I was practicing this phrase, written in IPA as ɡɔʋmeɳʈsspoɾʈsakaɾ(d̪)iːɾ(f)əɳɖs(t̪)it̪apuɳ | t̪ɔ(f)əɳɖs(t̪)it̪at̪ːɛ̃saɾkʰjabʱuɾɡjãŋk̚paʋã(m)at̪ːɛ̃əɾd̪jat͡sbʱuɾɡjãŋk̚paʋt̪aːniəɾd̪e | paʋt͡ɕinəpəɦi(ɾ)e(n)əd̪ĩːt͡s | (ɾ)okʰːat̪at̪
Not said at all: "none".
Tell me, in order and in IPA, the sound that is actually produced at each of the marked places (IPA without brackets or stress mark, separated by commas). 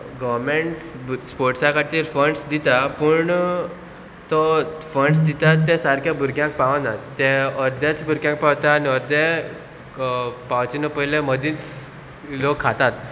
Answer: t̪, f, d̪, f, d̪, n, l, m, l